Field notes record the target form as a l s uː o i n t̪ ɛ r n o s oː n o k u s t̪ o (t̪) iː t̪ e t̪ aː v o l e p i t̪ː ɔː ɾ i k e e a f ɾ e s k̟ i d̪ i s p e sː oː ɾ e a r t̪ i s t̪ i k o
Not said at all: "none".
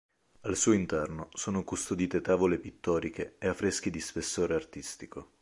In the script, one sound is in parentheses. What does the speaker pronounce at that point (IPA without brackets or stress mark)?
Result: d̪